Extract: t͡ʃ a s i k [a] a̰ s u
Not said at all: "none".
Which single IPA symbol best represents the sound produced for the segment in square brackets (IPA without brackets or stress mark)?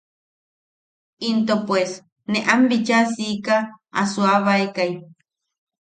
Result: a